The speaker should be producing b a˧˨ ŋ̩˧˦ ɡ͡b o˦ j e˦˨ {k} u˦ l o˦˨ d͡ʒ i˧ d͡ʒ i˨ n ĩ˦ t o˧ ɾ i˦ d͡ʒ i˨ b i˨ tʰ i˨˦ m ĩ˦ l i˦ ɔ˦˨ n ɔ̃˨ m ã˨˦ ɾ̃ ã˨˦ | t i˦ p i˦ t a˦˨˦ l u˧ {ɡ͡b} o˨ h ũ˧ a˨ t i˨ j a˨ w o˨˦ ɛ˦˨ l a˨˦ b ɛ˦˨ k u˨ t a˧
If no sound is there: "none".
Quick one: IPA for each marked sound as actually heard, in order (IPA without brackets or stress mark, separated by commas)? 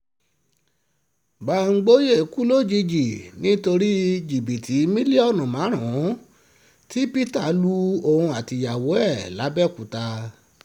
k, none